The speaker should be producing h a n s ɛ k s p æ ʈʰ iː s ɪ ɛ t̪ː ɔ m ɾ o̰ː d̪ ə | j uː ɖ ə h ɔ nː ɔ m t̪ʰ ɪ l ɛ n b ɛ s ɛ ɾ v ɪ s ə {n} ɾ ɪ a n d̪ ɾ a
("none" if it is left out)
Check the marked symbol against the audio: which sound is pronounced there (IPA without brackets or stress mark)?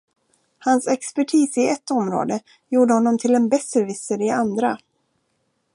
none